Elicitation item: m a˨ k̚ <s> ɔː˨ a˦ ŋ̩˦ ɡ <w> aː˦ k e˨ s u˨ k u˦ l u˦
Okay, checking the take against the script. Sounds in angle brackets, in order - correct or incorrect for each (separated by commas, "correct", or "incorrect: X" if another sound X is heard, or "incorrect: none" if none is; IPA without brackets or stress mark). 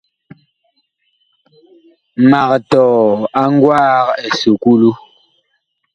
incorrect: t, correct